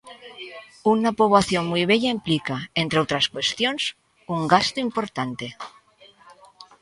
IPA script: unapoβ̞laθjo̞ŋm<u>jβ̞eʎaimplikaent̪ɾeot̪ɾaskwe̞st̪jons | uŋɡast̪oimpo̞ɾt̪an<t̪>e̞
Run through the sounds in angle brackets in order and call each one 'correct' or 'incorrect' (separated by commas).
correct, correct